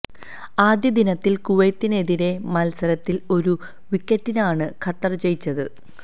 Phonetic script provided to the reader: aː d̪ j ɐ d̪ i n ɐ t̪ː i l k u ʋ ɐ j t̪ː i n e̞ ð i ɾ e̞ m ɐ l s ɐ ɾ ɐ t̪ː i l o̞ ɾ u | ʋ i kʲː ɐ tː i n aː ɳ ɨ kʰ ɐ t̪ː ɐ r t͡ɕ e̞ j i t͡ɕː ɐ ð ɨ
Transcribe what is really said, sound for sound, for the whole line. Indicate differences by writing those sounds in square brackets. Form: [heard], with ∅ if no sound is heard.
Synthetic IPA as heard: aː d̪ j ɐ d̪ i n ɐ t̪ː i l k u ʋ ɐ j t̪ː i n e̞ ð i ɾ e̞ m ɐ l s ɐ ɾ ɐ t̪ː i l o̞ ɾ u | ʋ i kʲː ɐ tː i n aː ɳ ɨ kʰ ɐ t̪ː ɐ r t͡ɕ e̞ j i t͡ɕː ɐ ð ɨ